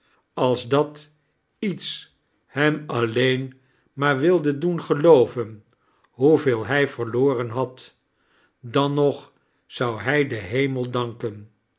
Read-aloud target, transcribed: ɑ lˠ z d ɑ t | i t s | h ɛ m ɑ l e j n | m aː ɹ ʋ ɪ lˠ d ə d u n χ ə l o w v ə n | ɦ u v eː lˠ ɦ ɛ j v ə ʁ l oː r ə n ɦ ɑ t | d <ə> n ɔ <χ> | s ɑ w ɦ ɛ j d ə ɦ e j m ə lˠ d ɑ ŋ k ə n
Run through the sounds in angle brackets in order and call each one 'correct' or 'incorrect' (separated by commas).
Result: incorrect, correct